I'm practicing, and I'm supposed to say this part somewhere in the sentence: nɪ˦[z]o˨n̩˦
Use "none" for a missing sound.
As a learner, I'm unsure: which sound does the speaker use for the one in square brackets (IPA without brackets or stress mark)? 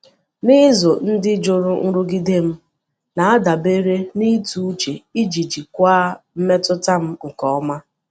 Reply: z